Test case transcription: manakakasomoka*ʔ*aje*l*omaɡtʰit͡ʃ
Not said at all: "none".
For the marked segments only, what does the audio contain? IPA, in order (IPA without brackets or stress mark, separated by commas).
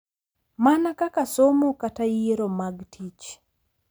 t, ɾ